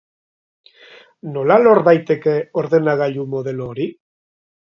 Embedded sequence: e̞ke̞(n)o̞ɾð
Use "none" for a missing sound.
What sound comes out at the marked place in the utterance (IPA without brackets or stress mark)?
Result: none